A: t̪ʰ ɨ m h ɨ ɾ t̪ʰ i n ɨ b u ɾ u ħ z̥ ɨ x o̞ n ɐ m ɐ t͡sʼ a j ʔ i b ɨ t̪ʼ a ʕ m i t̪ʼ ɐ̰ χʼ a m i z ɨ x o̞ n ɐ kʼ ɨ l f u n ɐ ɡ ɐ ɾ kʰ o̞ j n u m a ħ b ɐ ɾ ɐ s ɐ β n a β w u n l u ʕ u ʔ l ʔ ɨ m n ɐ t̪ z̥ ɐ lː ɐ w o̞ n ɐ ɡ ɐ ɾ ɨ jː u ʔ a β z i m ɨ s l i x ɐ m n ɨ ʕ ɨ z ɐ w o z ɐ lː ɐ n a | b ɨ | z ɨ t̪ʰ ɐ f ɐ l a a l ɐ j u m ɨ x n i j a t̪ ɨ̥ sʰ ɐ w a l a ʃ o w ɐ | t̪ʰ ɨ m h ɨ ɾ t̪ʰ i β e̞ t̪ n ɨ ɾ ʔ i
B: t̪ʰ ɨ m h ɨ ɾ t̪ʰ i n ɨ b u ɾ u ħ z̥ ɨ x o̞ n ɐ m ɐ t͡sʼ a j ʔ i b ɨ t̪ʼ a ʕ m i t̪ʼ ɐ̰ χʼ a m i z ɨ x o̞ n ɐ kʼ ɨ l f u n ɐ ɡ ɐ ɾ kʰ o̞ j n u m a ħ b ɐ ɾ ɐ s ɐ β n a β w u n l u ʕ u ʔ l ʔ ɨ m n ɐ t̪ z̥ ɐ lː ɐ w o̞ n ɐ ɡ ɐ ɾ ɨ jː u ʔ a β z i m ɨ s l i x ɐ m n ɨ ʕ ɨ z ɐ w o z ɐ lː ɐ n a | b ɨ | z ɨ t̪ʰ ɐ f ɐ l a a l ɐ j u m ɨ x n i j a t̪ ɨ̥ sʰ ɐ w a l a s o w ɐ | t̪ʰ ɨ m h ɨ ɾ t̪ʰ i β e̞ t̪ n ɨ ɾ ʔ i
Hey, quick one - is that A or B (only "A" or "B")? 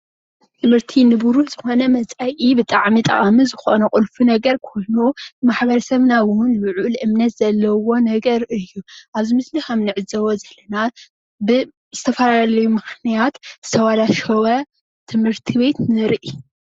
A